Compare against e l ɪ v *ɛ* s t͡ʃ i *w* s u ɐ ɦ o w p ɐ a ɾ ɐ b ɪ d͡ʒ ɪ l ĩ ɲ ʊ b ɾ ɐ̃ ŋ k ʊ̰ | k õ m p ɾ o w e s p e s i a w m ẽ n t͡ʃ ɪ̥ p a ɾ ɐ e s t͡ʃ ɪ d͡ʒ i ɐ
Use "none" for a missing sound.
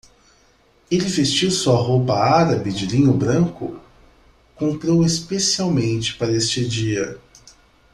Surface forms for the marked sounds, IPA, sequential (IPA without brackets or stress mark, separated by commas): e, w